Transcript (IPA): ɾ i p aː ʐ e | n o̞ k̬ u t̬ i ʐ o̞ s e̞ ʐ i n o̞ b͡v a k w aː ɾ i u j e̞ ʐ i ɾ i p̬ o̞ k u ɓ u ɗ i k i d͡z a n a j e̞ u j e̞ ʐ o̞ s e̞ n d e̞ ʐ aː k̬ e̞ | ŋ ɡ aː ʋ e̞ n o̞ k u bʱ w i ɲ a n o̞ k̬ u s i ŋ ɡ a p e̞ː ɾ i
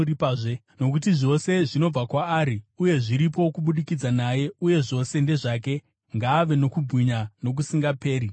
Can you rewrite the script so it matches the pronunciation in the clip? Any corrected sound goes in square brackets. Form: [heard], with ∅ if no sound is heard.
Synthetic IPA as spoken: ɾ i p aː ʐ e | n o̞ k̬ u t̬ i ʐ o̞ s e̞ ʐ i n o̞ b͡v a k w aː ɾ i u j e̞ ʐ i ɾ i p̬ o̞ k u ɓ u ɗ i k i d͡z a n a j e̞ u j e̞ ʐ o̞ s e̞ n d e̞ ʐ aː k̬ e̞ | ŋ ɡ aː ʋ e̞ n o̞ k u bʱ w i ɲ a n o̞ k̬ u s i ŋ ɡ a p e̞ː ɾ i